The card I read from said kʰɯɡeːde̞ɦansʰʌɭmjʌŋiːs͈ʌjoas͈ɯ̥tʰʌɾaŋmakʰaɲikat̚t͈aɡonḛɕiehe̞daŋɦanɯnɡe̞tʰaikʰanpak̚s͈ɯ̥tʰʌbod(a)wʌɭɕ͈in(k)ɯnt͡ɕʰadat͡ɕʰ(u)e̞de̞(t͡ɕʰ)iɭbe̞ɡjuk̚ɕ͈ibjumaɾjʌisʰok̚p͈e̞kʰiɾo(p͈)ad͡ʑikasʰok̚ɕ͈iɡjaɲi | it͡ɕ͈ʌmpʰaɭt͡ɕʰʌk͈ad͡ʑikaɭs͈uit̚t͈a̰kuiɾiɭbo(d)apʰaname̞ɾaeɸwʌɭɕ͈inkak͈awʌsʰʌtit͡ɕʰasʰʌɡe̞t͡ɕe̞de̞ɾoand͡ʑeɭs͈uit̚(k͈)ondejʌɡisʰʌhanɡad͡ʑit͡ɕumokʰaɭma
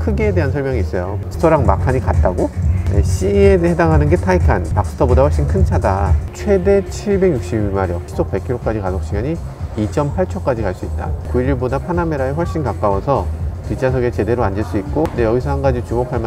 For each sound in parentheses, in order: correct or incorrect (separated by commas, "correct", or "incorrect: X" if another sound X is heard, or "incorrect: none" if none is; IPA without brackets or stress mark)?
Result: correct, incorrect: kʰ, incorrect: w, correct, incorrect: k͈, correct, correct